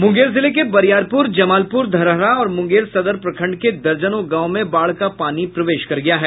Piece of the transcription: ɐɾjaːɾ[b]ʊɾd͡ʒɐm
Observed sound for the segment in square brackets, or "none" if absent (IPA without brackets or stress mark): p